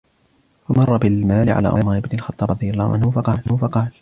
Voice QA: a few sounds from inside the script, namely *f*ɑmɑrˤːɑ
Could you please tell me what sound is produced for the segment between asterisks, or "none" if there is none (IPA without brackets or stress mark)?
f